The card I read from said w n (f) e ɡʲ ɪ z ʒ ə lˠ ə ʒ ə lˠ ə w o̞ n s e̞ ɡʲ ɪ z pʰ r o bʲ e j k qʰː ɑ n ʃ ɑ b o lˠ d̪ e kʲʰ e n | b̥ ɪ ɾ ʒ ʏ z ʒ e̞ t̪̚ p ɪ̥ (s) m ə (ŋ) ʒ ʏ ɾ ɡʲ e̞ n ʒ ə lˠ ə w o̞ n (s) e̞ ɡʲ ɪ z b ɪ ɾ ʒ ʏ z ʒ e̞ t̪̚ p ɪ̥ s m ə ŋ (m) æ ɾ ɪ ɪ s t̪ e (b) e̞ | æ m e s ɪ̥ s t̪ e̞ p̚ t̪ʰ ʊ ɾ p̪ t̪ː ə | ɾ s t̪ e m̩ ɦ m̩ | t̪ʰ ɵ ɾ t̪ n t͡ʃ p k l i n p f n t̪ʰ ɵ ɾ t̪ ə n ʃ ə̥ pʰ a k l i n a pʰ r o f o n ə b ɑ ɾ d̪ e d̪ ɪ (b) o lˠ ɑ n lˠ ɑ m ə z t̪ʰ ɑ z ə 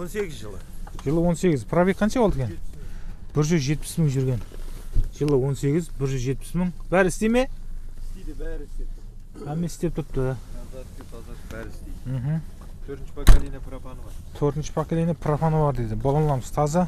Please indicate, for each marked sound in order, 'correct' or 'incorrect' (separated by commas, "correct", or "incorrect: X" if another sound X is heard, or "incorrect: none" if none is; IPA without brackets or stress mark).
incorrect: s, correct, correct, correct, incorrect: b, incorrect: m, correct